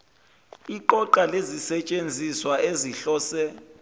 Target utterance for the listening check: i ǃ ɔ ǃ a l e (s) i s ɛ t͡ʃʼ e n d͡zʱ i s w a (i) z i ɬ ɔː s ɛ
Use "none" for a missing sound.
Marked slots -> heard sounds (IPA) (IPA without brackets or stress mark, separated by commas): z, e